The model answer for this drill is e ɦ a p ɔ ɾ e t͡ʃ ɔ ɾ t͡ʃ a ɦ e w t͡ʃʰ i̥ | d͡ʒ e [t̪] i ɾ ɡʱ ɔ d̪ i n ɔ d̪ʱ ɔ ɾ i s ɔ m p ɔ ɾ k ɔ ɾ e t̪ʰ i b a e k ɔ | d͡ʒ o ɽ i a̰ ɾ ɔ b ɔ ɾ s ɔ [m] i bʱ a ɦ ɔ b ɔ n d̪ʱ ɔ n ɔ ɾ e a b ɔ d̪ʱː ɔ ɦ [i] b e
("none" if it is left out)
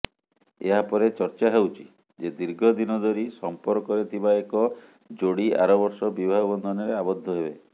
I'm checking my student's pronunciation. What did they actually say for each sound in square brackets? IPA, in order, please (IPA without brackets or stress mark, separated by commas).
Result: d̪, b, e